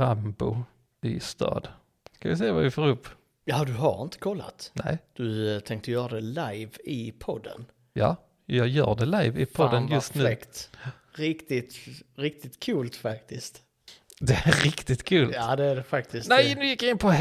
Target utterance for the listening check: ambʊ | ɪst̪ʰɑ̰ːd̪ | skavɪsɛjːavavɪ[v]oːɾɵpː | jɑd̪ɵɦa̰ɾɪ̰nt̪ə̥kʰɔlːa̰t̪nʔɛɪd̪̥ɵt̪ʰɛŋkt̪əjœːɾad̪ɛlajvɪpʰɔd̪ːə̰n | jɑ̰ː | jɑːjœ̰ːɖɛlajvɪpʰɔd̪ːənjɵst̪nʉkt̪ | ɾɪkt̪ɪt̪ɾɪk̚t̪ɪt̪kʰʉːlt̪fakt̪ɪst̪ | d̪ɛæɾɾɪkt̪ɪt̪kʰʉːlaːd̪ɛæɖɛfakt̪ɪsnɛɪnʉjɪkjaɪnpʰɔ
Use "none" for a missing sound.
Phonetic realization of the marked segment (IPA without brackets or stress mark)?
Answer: f